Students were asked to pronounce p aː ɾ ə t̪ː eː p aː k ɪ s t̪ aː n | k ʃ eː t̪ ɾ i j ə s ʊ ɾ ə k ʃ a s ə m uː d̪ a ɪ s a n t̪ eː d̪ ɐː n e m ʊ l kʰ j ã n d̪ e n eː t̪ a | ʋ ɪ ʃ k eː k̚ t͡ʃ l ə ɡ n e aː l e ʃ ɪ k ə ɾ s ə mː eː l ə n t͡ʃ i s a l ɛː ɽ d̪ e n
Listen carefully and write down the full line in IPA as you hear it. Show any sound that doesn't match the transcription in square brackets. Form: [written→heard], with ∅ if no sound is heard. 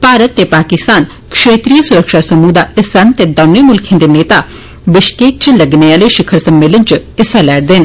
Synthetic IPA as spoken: p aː ɾ ə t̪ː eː p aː k ɪ s t̪ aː n | k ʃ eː t̪ ɾ i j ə s ʊ ɾ ə k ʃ a s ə m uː d̪ a ɪ s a n t̪ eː d̪ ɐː n e m ʊ l kʰ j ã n d̪ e n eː t̪ a | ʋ ɪ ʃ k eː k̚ t͡ʃ l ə ɡ n e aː l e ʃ ɪ [k→kʰ] ə ɾ s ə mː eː l ə n t͡ʃ [i→ɪ] s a l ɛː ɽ d̪ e n

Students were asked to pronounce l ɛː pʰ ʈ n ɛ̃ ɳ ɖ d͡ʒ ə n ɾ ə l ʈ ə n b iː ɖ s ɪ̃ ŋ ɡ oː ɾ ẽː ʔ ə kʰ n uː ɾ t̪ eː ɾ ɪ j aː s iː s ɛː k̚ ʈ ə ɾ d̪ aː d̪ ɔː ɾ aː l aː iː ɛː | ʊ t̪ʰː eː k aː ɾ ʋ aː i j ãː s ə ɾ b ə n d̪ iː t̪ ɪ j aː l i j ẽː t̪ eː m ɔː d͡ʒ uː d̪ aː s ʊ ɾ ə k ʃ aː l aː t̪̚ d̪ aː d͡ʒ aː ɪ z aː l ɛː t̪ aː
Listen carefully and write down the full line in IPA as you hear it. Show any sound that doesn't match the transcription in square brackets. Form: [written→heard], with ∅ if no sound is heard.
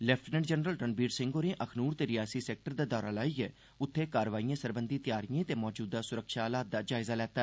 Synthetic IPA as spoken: l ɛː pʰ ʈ n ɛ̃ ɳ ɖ d͡ʒ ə n ɾ ə l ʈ ə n b iː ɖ s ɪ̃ ŋ ɡ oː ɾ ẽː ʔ ə kʰ n uː ɾ t̪ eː ɾ ɪ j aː s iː s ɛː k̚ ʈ ə ɾ d̪ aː d̪ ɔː ɾ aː l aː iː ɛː | ʊ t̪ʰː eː k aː ɾ ʋ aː i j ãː s ə ɾ b ə n d̪ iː t̪ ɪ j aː [l→ɾ] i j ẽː t̪ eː m ɔː d͡ʒ uː d̪ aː s ʊ ɾ ə k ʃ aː l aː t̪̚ d̪ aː d͡ʒ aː ɪ z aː l ɛː t̪ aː

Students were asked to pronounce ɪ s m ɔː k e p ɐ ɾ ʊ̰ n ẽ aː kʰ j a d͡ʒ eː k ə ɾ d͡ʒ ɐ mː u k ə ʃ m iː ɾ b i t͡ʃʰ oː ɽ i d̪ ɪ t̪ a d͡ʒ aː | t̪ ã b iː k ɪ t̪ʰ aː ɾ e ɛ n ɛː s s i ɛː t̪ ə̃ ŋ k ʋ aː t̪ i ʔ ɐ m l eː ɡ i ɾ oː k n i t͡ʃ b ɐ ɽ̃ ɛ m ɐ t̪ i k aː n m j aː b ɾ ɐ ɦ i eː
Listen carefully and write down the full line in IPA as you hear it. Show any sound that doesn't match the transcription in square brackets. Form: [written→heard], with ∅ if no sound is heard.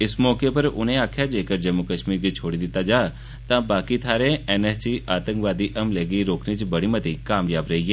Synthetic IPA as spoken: ɪ s m ɔː k e p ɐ ɾ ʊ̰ n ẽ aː kʰ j a d͡ʒ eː k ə ɾ d͡ʒ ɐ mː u k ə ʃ m iː ɾ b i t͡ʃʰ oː ɽ i d̪ ɪ t̪ a d͡ʒ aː | t̪ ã b [iː→aː] k [ɪ→i] t̪ʰ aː ɾ e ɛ n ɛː s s i [ɛː→aː] t̪ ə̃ ŋ k ʋ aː [t̪→d̪] i ʔ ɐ m l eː ɡ i ɾ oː k n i t͡ʃ b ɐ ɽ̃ [ɛ→i] m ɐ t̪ i k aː [n→∅] m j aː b ɾ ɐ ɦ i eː

